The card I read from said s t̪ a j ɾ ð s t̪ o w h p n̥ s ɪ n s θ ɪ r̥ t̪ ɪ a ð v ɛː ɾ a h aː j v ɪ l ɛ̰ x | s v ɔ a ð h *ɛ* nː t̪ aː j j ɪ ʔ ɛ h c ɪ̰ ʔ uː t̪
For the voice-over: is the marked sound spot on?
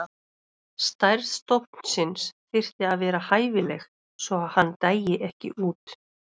no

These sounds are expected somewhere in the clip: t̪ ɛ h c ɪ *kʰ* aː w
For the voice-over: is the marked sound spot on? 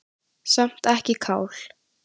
yes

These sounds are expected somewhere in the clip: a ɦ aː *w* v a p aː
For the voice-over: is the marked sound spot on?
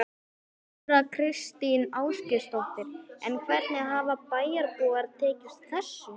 no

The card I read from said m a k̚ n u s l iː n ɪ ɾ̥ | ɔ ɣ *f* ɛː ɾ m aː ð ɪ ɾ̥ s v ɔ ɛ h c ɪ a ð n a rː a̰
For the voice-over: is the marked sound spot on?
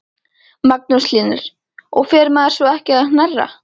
yes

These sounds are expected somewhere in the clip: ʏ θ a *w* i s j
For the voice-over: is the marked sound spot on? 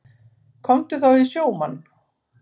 yes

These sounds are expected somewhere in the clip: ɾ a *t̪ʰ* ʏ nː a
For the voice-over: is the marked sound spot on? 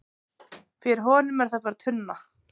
yes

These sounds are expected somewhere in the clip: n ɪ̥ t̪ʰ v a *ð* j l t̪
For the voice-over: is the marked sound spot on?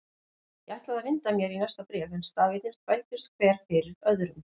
no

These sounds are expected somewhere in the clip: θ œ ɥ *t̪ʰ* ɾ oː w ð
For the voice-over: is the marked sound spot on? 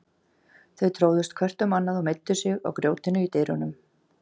yes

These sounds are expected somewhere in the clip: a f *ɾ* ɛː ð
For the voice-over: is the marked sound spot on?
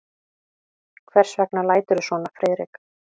yes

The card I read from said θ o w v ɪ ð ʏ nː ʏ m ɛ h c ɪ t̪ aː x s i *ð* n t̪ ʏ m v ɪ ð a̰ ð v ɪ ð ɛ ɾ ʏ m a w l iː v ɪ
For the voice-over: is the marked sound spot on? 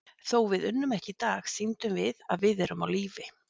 no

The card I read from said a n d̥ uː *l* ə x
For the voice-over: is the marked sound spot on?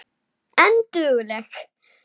yes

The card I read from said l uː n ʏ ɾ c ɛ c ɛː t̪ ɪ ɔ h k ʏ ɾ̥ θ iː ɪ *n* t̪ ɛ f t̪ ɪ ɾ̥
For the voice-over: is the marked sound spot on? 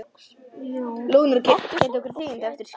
yes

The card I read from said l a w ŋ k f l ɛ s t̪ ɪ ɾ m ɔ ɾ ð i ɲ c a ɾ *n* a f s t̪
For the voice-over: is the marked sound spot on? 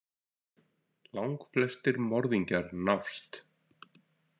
yes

